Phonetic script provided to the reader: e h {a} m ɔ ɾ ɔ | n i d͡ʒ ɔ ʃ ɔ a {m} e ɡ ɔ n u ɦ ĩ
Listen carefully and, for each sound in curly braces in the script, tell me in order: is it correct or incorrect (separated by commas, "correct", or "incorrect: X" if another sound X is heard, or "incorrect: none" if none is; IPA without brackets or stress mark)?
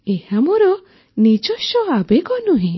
correct, incorrect: b